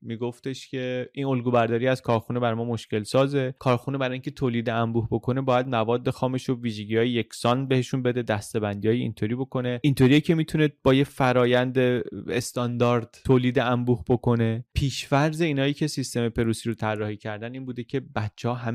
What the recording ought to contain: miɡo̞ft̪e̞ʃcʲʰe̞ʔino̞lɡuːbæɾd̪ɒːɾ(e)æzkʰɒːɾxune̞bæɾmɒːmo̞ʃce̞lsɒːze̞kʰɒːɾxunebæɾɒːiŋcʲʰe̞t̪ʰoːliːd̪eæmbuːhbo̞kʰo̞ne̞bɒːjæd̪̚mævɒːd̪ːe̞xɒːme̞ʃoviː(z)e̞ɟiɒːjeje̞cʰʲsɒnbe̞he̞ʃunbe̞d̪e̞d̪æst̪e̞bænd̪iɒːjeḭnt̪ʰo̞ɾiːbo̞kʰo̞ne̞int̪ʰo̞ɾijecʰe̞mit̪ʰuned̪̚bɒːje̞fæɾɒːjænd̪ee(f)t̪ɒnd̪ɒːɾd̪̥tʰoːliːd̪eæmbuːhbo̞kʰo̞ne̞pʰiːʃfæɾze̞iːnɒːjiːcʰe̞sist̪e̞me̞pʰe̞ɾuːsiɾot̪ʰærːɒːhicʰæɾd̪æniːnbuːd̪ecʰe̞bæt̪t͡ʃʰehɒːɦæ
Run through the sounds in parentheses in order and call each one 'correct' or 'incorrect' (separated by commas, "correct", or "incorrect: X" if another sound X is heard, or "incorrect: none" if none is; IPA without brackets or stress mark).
incorrect: i, incorrect: ʒ, incorrect: s